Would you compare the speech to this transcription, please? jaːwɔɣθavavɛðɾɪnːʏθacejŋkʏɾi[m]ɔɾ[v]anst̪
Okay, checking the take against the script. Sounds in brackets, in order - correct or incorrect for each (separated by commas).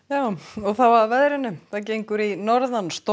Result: incorrect, incorrect